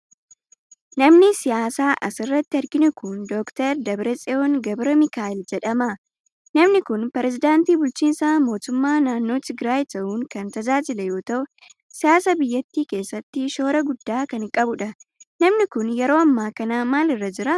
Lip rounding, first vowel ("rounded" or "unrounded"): unrounded